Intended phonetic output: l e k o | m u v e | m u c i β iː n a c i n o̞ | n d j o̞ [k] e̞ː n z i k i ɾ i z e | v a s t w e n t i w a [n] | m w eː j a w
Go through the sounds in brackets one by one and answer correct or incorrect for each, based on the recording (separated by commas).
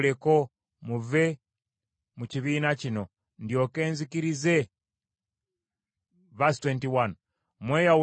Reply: correct, correct